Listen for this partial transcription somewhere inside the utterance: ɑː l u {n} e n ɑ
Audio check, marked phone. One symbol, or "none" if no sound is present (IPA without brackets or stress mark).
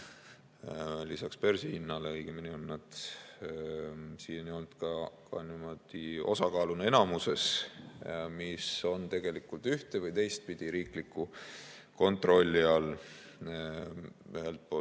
n